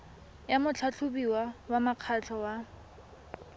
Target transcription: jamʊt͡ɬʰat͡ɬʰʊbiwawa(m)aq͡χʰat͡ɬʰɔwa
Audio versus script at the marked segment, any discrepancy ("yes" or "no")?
no